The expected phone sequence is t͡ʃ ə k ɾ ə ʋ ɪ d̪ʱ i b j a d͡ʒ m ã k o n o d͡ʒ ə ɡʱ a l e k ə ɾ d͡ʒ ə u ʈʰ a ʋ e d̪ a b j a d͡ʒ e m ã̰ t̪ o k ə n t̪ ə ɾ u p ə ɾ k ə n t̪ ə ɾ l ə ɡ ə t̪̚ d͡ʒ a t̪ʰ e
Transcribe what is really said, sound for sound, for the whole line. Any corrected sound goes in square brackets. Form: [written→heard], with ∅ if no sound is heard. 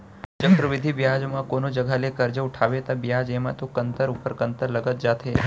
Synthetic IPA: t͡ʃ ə k ɾ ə ʋ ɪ d̪ʱ i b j a d͡ʒ m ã k o n o d͡ʒ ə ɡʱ a l e k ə ɾ d͡ʒ ə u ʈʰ a ʋ e [d̪→t̪] a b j a d͡ʒ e m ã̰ t̪ o k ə n t̪ ə ɾ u p ə ɾ k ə n t̪ ə ɾ l ə ɡ ə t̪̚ d͡ʒ a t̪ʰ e